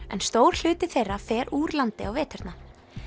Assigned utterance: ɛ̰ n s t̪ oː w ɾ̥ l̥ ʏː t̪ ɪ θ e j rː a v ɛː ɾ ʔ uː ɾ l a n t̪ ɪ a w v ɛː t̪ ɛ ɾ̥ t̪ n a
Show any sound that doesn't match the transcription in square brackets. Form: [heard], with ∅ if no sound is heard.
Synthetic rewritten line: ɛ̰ n s t̪ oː w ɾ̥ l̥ ʏː t̪ ɪ θ e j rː a [f] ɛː ɾ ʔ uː ɾ l a n t̪ ɪ a w v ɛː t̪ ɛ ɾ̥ t̪ n a